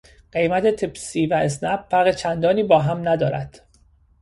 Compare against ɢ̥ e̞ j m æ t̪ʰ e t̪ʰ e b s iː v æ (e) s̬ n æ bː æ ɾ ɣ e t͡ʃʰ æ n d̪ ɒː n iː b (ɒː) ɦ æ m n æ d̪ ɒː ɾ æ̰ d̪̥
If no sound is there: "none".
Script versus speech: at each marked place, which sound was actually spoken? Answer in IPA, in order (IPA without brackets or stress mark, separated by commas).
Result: e, ɒː